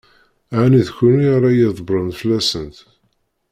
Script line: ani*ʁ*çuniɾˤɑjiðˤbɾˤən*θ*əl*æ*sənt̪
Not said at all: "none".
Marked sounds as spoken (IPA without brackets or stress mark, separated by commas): ð, f, æ